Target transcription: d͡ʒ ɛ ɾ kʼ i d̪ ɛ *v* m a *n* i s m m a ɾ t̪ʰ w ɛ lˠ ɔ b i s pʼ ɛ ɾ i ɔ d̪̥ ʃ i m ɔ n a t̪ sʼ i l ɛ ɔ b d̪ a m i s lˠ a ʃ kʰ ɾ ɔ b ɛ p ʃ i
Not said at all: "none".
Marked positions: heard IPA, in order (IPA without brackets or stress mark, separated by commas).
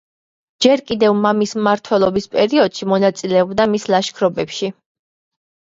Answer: v, m